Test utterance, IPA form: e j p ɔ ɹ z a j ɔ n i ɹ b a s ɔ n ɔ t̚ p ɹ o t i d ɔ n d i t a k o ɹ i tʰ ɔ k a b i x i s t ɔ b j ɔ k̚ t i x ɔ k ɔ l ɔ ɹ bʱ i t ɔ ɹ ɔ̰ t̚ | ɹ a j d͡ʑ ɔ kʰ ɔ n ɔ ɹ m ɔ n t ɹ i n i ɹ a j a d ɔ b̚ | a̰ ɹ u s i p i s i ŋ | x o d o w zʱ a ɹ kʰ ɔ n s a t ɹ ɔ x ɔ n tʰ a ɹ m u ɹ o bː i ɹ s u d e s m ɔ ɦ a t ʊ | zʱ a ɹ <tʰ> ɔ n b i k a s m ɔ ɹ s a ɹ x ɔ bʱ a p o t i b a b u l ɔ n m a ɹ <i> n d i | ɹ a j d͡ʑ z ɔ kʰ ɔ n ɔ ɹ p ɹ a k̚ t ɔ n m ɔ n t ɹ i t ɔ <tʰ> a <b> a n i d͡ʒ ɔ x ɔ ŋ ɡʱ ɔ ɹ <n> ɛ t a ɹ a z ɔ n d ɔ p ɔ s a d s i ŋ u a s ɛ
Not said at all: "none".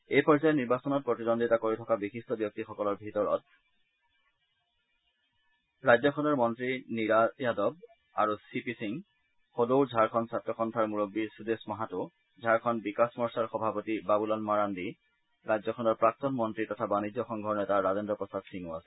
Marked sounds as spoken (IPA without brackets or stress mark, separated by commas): kʰ, a, tʰ, b, n